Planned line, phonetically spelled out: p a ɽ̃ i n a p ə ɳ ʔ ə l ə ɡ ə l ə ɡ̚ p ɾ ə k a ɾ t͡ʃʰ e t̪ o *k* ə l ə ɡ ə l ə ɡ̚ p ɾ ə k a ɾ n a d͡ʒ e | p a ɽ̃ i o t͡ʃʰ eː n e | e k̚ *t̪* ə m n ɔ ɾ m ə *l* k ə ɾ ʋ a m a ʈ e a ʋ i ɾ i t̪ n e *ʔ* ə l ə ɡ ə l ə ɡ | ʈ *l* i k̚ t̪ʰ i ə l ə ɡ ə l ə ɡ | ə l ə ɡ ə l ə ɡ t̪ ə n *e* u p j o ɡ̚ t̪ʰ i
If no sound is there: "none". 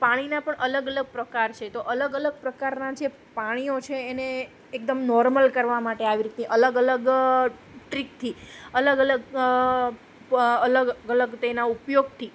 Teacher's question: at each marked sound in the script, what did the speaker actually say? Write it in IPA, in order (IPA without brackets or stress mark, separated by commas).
ʔ, d̪, l, ʔ, ɾ, a